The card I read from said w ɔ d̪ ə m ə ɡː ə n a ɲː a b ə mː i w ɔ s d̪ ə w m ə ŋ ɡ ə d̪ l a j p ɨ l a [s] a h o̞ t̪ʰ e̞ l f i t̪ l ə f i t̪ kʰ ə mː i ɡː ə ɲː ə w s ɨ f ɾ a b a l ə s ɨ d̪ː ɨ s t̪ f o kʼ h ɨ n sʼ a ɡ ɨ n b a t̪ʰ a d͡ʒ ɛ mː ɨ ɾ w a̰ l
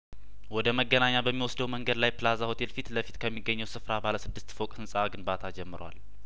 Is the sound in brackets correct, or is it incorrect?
incorrect